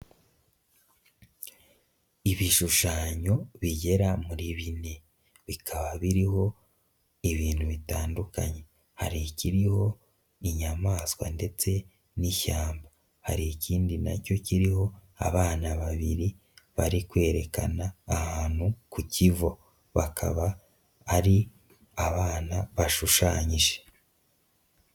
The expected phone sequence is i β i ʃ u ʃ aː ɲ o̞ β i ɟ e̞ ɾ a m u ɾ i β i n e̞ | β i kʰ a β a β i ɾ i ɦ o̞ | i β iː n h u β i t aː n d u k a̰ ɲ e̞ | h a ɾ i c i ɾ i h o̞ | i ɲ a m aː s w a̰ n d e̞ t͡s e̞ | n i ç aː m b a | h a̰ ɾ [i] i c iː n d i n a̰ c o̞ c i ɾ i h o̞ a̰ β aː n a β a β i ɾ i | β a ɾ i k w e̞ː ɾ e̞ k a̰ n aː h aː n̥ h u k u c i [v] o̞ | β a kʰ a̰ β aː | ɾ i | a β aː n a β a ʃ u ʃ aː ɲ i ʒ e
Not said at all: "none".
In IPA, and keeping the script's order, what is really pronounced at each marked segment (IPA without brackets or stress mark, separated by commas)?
i, v